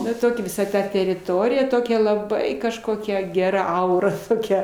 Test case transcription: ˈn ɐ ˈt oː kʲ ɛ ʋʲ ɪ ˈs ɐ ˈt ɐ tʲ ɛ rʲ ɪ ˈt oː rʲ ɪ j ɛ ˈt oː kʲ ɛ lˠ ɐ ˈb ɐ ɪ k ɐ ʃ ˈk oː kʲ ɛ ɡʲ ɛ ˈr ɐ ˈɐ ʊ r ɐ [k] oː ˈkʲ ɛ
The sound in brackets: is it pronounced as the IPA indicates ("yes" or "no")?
no